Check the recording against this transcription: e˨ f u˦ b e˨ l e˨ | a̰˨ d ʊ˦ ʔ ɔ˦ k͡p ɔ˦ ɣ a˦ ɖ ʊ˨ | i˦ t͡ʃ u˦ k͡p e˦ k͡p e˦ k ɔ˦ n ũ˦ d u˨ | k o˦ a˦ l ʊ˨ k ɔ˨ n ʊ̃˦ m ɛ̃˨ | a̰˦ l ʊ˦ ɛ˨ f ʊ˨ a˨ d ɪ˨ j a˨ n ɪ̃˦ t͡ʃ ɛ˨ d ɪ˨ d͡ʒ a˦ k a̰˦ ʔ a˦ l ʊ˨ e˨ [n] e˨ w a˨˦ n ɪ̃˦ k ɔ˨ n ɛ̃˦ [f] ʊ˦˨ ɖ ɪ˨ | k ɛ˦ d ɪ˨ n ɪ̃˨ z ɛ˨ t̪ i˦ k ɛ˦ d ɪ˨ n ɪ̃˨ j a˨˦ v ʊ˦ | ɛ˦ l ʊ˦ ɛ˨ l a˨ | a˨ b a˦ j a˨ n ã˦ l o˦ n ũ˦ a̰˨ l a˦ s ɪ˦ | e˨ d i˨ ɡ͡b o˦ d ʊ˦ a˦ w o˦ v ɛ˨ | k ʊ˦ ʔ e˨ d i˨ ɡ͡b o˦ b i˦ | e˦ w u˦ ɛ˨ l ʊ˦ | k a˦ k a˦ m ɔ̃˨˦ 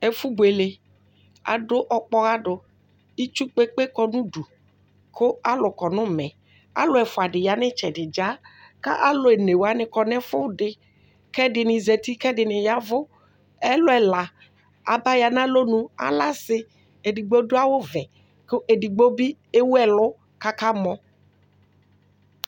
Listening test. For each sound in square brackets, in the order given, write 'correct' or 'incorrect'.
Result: correct, correct

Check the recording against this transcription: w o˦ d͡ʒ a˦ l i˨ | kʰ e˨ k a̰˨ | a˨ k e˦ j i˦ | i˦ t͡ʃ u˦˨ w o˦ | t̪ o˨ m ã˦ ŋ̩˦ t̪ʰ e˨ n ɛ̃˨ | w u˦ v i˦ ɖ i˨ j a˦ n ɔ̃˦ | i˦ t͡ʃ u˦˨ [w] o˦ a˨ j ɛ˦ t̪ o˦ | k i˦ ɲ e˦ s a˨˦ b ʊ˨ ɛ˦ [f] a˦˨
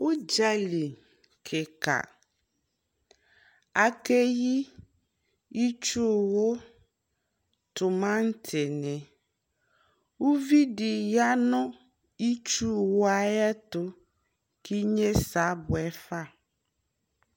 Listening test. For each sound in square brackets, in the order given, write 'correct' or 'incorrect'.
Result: correct, correct

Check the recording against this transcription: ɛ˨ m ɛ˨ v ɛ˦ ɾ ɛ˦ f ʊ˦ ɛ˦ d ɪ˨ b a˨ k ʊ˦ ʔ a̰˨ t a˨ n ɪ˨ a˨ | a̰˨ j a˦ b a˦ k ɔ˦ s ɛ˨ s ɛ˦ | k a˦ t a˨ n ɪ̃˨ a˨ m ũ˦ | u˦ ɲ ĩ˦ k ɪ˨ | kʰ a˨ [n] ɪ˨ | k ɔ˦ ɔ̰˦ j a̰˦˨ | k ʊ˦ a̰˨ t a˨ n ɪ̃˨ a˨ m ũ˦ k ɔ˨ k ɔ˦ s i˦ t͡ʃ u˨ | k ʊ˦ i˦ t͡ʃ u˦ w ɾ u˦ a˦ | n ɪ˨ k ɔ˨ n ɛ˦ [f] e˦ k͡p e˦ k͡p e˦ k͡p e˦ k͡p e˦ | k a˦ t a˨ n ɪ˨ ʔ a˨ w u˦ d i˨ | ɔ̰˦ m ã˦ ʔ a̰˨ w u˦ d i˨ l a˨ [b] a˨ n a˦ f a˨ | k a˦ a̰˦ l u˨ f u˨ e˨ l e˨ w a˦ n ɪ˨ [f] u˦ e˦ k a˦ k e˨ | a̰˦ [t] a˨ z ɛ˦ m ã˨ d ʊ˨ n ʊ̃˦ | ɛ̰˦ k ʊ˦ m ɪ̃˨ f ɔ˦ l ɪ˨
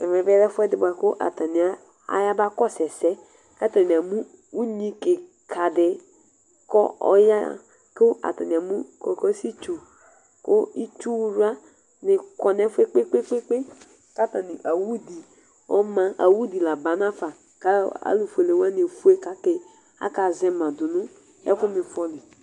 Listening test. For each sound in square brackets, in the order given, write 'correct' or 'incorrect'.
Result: incorrect: d, correct, correct, correct, incorrect: k

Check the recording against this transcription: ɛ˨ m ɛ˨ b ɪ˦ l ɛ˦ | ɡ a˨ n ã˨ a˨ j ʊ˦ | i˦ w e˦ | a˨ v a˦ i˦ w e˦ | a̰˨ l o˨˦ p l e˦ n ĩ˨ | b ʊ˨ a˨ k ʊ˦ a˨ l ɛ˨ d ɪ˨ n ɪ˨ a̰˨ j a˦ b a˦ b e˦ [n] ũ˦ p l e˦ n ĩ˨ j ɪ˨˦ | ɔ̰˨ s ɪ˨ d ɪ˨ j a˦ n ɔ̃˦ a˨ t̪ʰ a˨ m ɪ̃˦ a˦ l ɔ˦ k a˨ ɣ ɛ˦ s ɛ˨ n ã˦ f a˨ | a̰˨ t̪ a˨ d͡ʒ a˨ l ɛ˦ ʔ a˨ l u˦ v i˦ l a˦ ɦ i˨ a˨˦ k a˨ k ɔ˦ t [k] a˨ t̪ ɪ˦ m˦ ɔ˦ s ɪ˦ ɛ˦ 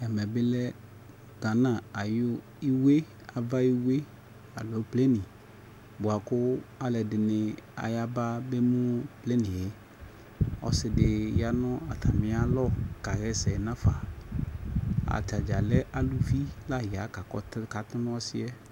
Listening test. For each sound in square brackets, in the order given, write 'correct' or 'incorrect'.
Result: incorrect: m, correct

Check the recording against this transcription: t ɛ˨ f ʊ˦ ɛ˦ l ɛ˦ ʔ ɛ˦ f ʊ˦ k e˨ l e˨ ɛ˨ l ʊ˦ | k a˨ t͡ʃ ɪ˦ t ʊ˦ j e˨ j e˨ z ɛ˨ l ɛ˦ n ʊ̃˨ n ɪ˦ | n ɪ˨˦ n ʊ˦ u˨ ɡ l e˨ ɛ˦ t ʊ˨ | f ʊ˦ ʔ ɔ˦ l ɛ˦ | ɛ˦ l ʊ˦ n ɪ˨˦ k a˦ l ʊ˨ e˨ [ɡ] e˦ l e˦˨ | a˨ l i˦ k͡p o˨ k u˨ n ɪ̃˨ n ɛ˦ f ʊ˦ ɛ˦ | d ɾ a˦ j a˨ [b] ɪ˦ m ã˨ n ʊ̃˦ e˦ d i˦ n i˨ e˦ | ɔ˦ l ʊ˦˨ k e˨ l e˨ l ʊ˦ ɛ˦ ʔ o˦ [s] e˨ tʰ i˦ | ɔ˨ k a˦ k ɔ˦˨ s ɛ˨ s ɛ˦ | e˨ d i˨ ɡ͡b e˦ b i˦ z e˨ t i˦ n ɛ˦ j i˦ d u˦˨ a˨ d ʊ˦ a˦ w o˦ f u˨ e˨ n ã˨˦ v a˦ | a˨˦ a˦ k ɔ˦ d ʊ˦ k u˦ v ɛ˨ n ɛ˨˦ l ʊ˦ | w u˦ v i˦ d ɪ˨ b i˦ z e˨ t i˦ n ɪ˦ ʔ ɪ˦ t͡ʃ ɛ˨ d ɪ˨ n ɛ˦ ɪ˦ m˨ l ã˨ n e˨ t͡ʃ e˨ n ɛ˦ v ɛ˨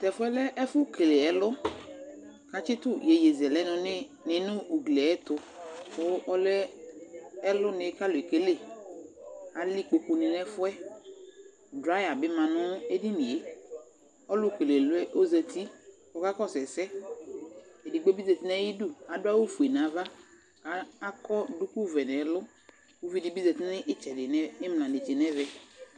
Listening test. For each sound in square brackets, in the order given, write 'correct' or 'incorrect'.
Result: incorrect: k, correct, incorrect: z

